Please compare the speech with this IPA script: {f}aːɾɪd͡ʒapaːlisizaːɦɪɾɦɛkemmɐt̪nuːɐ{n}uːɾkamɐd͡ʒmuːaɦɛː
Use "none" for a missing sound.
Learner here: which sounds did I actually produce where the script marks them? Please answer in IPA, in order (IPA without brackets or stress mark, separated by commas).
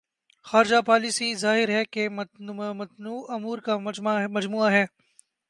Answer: x, m